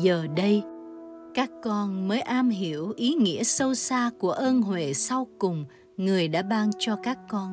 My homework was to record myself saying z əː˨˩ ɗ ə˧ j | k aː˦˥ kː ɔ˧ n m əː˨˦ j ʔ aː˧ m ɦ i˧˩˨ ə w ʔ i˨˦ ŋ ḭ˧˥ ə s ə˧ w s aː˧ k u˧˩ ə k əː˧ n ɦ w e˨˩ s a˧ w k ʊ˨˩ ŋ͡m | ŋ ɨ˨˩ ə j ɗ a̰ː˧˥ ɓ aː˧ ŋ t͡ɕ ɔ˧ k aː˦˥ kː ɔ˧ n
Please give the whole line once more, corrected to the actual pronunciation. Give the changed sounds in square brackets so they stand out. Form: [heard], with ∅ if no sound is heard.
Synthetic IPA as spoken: z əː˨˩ ɗ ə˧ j | k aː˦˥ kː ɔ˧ n m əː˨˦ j ʔ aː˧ m ɦ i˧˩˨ ə w ʔ i˨˦ ŋ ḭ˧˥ ə s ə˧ w s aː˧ k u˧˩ ə [ʔ] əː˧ n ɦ w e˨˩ s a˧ w k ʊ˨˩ ŋ͡m | ŋ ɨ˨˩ ə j ɗ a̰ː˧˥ ɓ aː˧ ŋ t͡ɕ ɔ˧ k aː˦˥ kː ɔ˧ n